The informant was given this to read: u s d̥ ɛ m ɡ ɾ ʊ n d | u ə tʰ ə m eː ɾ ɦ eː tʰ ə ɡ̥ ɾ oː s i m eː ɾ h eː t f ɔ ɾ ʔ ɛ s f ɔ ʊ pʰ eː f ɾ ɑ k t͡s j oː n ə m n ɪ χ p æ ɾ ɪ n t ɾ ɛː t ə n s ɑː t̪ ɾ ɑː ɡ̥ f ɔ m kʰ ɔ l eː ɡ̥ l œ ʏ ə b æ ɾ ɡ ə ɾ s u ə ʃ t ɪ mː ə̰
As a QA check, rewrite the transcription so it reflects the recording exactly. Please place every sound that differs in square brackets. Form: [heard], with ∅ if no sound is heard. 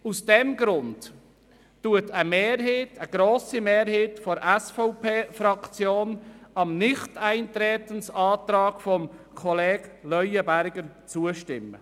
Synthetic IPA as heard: u s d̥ ɛ m ɡ ɾ ʊ n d | u ə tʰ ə m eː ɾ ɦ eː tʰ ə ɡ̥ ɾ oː s i m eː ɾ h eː t f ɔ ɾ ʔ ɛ s f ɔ ʊ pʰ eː f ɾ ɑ k t͡s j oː n [ɑ] m n ɪ χ [t] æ [∅] ɪ n t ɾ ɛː t ə n s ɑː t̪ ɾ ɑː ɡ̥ f ɔ m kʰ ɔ l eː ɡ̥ l œ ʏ ə b æ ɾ ɡ ə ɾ [t͡s] u ə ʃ t ɪ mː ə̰